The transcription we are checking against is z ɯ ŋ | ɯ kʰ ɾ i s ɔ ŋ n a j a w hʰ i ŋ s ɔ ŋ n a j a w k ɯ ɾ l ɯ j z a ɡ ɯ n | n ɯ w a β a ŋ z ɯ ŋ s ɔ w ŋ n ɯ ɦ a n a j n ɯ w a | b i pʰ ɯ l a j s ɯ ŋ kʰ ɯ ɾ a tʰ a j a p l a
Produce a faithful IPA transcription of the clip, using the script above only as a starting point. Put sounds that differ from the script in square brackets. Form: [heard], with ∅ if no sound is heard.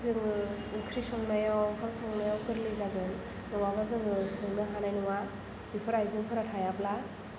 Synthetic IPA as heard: z ɯ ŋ | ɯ kʰ ɾ i s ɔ ŋ n a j a w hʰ [a] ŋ s ɔ ŋ n a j a w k ɯ ɾ l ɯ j z a ɡ ɯ n | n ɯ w a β a [∅] z ɯ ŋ s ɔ [∅] ŋ n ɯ ɦ a n a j n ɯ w a | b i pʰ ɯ [ɾ] a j [z] ɯ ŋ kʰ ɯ ɾ a tʰ a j a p l a

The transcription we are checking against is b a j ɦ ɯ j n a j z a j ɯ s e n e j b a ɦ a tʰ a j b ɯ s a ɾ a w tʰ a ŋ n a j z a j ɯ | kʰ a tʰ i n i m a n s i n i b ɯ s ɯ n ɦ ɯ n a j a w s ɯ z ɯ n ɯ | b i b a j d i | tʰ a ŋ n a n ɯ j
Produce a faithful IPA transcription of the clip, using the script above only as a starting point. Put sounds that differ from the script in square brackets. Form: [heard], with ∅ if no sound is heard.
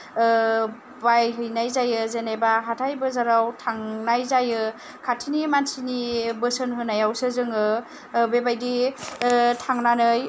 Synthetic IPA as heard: b a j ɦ ɯ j n a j z a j ɯ [z] e n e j b a ɦ a tʰ a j b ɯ [z] a ɾ a w tʰ a ŋ n a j z a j ɯ | kʰ a tʰ i n i m a n s i n i b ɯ s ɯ n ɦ ɯ n a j a w s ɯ z ɯ [ŋ] ɯ | b [e] b a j d i | tʰ a ŋ n a n ɯ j

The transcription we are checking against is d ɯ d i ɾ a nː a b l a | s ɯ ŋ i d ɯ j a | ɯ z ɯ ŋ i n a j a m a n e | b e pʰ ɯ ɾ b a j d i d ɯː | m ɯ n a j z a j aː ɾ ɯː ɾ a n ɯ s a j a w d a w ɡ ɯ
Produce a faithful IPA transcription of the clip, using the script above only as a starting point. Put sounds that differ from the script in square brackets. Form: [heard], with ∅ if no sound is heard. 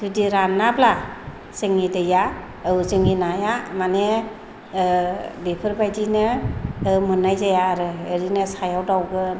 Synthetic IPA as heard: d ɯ d i ɾ a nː a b l a | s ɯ ŋ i d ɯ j a | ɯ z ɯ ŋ i n a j a m a n e | b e pʰ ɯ ɾ b a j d i [n] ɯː | m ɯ n a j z a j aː ɾ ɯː ɾ [i] n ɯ s a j a w d a w ɡ ɯ

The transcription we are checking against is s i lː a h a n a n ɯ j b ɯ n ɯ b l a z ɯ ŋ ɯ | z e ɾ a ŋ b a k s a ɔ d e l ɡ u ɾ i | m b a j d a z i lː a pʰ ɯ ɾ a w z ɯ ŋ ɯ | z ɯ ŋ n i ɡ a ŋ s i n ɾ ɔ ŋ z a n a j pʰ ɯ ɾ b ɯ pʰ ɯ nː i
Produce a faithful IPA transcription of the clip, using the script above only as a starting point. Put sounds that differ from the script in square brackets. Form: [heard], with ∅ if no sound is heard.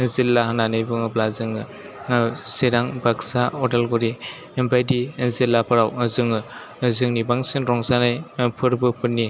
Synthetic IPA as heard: [z] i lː a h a n a n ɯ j b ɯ [ŋ] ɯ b l a z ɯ ŋ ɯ | [s] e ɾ a ŋ b a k s a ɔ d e l ɡ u ɾ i | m b a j d [i] z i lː a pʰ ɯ ɾ a w z ɯ ŋ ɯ | z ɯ ŋ n i [b] a ŋ s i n ɾ ɔ ŋ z a n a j pʰ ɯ ɾ b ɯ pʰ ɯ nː i

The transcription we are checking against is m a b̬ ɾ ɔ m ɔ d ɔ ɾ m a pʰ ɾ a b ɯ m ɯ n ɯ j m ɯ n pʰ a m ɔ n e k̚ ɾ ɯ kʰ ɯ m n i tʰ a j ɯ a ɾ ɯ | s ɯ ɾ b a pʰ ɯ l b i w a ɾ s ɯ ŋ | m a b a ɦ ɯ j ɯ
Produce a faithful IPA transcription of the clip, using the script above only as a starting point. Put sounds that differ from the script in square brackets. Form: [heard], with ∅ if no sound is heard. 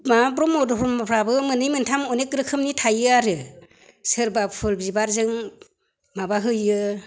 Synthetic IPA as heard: m a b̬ ɾ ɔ m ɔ d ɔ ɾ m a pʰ ɾ a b ɯ m ɯ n ɯ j m ɯ n [tʰ] a m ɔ n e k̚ ɾ ɯ kʰ ɯ m n i tʰ a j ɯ a ɾ ɯ | s ɯ ɾ b a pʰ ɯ l b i [b] a ɾ [z] ɯ ŋ | m a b a ɦ ɯ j ɯ

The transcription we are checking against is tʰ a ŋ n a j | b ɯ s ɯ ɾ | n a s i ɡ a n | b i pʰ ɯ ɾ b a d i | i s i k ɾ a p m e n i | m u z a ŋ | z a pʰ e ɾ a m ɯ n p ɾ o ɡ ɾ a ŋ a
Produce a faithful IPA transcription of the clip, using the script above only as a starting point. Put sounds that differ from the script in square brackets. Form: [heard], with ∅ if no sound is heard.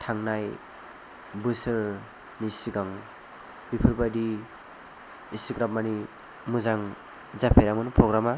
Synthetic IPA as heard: tʰ a ŋ n a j | b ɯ s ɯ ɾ | n [i] s i ɡ a [ŋ] | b i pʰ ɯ ɾ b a d i | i s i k ɾ a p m [a] n i | m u z a ŋ | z a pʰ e ɾ a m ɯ n p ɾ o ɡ ɾ a [m] a

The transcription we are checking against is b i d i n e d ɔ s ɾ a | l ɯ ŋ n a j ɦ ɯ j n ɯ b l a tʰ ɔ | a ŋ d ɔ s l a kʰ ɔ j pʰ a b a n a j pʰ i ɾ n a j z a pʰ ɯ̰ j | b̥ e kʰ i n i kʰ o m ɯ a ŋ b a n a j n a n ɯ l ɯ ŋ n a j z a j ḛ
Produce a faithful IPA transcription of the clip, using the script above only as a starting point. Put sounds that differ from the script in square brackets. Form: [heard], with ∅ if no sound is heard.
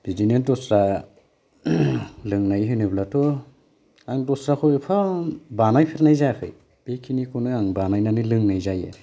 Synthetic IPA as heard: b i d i n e d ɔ s ɾ a | l ɯ ŋ n a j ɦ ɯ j n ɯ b l a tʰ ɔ | a ŋ d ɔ s [ɾ] a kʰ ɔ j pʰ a b a n a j pʰ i ɾ n a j z a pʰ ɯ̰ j | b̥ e kʰ i n i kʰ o [n] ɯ a ŋ b a n a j n a n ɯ l ɯ ŋ n a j z a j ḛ

